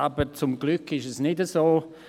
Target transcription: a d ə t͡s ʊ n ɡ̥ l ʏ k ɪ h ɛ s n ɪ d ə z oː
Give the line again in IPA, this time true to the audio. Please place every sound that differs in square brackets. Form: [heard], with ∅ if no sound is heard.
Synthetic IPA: a [b] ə t͡s ʊ [m] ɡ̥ l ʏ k ɪ [ʃ] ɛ s n ɪ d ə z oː